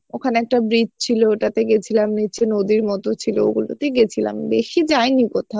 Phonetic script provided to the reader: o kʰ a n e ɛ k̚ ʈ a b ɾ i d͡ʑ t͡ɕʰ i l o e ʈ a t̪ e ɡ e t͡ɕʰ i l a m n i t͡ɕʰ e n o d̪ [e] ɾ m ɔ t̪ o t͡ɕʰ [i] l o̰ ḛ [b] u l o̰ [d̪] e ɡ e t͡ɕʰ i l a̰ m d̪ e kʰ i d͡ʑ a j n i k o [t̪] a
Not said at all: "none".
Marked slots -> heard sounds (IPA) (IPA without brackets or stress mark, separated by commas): i, i, ɡ, t̪, t̪ʰ